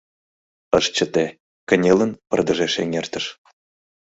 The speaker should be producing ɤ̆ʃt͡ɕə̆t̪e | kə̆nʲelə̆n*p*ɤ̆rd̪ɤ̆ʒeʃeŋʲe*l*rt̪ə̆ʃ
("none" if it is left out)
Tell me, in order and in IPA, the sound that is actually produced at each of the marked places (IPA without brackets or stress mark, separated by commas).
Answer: p, none